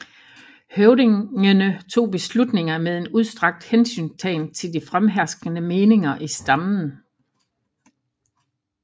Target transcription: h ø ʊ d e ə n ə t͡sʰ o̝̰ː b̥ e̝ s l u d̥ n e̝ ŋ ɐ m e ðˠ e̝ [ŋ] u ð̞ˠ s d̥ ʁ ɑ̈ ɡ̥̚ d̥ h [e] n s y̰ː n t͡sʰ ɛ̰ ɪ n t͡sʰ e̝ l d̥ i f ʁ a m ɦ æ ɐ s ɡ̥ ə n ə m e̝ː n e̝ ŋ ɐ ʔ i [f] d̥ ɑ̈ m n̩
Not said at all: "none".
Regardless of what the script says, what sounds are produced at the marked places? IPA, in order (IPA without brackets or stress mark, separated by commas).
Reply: n, e, s